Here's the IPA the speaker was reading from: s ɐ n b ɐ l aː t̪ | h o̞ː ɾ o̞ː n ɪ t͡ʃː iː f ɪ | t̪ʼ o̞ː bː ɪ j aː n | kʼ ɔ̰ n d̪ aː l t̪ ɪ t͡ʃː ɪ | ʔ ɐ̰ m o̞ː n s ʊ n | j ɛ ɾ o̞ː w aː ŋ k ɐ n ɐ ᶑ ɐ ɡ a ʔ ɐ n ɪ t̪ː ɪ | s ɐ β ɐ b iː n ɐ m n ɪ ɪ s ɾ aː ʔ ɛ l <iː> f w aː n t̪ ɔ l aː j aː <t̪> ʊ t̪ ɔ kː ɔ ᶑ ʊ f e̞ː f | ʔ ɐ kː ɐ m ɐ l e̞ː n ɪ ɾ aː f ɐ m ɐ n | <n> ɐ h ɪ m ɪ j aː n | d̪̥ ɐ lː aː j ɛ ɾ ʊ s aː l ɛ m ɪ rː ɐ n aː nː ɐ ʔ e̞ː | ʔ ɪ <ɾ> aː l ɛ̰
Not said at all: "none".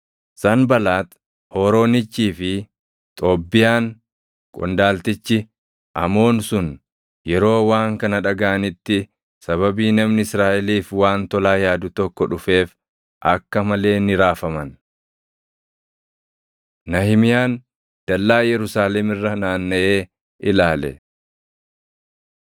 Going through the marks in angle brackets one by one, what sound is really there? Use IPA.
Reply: iː, d̪, n, l

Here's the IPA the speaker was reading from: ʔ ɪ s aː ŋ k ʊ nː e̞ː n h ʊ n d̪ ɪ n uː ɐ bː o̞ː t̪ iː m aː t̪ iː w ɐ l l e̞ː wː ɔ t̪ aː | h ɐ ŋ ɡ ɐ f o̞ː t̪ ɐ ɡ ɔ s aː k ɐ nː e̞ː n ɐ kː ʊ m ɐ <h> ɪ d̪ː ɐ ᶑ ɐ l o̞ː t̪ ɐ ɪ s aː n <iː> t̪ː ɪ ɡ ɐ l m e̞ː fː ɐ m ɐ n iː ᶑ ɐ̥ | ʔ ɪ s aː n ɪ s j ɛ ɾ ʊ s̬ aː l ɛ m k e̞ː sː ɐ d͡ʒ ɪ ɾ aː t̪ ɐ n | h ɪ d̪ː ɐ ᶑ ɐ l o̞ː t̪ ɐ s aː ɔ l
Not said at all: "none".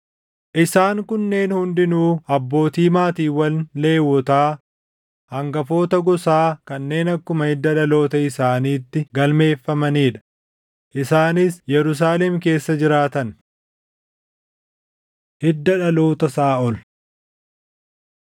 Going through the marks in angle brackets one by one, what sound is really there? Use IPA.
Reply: h, iː

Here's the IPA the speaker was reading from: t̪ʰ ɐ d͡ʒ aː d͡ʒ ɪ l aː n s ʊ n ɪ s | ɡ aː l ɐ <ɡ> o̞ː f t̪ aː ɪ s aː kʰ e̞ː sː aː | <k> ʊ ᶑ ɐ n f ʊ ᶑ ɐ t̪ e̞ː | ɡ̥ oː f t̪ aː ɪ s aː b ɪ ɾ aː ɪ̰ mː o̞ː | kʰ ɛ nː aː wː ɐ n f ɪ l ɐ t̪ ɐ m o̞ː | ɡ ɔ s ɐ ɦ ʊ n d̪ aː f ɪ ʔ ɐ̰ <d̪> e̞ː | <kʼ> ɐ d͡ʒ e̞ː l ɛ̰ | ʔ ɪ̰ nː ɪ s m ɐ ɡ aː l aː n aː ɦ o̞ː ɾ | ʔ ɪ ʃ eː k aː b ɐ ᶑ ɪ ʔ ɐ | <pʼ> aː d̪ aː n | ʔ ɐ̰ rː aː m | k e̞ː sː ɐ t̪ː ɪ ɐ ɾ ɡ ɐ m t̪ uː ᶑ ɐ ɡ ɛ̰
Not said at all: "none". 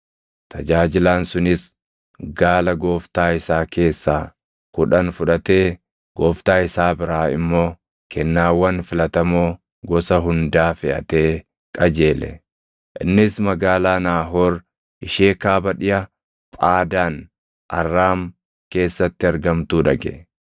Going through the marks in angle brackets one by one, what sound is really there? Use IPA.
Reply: ɡ, k, t̪, kʼ, pʼ

